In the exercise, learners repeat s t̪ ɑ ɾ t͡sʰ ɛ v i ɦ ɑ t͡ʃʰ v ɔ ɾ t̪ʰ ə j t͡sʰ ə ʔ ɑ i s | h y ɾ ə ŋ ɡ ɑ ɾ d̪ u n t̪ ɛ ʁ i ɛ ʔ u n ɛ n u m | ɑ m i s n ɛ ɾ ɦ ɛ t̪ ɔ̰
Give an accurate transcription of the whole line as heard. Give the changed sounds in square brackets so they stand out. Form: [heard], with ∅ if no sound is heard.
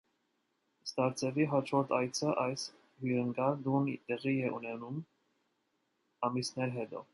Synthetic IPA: s t̪ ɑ ɾ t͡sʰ ɛ v i ɦ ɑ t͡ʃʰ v ɔ ɾ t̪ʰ [ɑ] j t͡sʰ ə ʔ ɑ [j] s | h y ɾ ə ŋ ɡ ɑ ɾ d̪ u n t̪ ɛ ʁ i ɛ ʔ u n ɛ n u m | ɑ m i s n ɛ ɾ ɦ ɛ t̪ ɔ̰